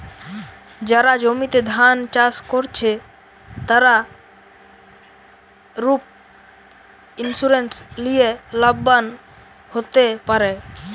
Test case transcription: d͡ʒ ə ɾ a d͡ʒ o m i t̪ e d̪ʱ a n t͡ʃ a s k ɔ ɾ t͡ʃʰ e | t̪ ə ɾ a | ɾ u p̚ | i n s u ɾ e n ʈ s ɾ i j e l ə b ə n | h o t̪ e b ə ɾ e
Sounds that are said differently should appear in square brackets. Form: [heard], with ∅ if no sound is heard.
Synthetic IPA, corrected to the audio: d͡ʒ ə ɾ a d͡ʒ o m i t̪ e d̪ʱ a n t͡ʃ a s k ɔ ɾ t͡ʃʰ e | t̪ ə ɾ a | ɾ u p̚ | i n s u ɾ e n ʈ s [l] i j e l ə b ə n | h o t̪ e [p] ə ɾ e